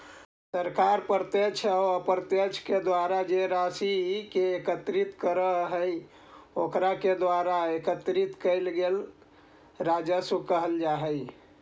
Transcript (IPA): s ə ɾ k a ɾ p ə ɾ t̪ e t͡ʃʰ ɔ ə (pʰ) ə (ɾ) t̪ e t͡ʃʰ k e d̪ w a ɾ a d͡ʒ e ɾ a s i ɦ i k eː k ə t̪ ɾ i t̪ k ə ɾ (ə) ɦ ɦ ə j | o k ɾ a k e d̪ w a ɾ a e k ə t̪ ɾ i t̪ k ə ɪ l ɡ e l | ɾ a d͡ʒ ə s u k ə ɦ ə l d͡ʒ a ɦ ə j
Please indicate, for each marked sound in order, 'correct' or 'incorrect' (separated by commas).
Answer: incorrect, correct, correct